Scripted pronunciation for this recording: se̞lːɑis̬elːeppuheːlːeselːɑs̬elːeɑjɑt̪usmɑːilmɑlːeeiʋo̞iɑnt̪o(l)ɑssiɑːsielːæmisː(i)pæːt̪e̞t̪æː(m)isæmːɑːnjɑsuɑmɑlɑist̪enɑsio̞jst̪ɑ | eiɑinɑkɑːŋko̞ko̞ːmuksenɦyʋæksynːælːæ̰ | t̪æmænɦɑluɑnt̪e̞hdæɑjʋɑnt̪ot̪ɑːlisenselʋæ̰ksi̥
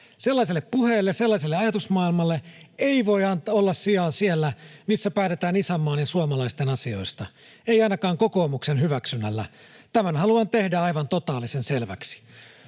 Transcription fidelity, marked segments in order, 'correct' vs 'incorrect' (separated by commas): incorrect, incorrect, incorrect